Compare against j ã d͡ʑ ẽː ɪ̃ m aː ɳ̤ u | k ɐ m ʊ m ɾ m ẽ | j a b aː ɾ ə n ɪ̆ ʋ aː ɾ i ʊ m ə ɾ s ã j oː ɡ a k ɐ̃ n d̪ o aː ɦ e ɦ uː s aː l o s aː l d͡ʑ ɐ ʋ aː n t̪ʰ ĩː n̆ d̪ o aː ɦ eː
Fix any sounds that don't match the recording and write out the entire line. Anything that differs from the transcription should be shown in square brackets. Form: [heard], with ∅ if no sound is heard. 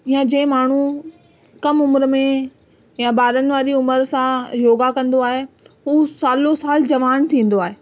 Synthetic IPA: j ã d͡ʑ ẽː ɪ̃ m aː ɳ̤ u | k ɐ m ʊ m ɾ m ẽ | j a b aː ɾ ə n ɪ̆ ʋ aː ɾ i ʊ m ə ɾ s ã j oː ɡ a k ɐ̃ n d̪ o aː ɦ e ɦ uː s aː l o s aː l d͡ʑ ɐ ʋ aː n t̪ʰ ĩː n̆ d̪ o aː ɦ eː